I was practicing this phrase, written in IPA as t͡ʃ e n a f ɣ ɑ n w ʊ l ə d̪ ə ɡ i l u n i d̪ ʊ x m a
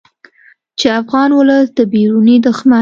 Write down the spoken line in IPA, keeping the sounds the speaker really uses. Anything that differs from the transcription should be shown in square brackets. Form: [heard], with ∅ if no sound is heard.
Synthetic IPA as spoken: t͡ʃ e [∅] a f ɣ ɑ n w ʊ l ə d̪ ə [b] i [ɾ] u n i d̪ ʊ x m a

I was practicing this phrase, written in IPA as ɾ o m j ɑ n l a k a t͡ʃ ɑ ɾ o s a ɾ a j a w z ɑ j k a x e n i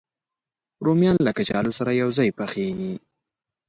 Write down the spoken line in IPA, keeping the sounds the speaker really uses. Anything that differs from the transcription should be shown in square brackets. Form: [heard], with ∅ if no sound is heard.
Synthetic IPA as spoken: ɾ o m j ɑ n l a k a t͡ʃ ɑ [l] o s a ɾ a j a w z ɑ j [p] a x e n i

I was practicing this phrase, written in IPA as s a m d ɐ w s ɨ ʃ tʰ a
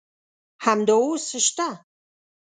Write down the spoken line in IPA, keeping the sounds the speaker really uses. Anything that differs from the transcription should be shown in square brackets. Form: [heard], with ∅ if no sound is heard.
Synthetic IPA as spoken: [ħ] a m d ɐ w s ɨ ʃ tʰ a

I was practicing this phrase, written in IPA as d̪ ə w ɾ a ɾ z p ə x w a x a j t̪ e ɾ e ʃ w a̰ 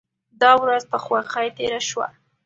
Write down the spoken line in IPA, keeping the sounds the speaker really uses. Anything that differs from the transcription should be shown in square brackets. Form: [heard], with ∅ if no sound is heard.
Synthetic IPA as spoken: d̪ [ɑ] w ɾ a [∅] z p ə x w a x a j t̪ e ɾ [a] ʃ w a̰

